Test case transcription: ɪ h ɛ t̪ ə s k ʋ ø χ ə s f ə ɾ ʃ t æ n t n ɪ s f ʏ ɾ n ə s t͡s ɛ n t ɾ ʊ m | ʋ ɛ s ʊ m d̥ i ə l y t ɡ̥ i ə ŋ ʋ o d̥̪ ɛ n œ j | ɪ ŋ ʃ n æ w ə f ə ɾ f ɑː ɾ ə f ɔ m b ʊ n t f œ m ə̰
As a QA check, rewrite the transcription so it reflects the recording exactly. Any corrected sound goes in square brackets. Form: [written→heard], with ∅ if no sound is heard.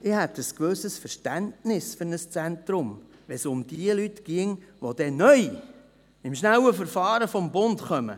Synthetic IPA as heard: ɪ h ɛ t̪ ə s k ʋ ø [χ→s] ə s f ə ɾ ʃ t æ n t n ɪ s f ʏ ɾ n ə s t͡s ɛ n t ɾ ʊ m | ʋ ɛ s ʊ m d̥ i ə l y t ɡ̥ i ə ŋ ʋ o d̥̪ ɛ n œ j | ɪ [ŋ→m] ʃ n æ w ə f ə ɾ f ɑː ɾ ə f ɔ m b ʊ n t [f→χ] œ m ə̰